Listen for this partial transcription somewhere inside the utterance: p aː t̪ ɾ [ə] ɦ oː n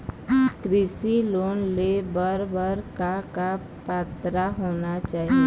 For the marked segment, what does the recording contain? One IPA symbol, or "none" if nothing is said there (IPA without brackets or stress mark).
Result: a